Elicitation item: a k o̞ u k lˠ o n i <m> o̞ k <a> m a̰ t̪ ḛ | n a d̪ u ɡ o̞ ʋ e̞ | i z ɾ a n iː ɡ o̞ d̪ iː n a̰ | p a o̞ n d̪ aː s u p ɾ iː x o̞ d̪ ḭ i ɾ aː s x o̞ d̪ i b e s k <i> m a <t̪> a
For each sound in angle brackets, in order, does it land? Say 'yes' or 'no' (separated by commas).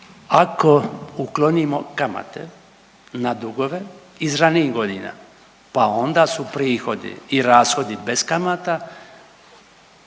yes, yes, no, yes